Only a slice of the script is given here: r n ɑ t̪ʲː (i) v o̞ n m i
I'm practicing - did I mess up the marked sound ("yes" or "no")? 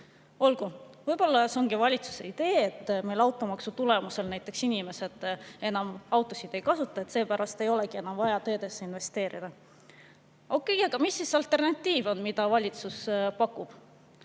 yes